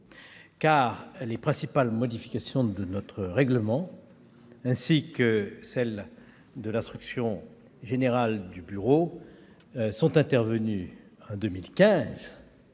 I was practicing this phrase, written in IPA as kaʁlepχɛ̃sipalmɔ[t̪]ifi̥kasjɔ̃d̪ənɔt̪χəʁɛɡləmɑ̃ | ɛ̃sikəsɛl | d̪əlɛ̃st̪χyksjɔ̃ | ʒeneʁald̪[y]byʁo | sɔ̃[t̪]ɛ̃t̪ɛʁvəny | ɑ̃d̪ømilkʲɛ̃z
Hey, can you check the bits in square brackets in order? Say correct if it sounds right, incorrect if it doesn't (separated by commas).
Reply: incorrect, correct, correct